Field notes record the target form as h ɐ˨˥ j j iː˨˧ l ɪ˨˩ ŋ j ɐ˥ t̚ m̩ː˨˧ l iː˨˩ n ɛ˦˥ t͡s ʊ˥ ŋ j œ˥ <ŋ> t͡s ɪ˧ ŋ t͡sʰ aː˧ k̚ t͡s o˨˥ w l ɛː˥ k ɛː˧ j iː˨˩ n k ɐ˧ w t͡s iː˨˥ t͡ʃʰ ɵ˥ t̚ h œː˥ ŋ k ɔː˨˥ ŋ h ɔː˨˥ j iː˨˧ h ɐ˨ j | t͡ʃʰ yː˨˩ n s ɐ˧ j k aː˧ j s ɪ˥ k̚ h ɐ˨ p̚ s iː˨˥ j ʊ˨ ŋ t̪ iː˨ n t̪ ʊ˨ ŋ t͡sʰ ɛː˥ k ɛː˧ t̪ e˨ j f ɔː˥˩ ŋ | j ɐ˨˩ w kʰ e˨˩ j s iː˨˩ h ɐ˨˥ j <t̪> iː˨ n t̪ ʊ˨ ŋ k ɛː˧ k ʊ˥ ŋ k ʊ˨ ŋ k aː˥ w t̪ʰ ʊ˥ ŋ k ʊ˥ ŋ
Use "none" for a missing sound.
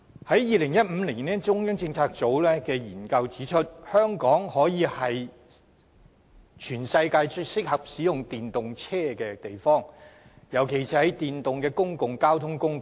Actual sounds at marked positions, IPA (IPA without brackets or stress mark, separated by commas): ŋ, t̪